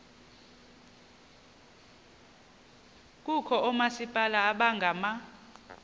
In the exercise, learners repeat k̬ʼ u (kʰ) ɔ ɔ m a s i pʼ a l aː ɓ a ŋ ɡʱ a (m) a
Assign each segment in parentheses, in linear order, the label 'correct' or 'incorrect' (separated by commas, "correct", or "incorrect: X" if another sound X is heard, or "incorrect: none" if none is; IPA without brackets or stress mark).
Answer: correct, correct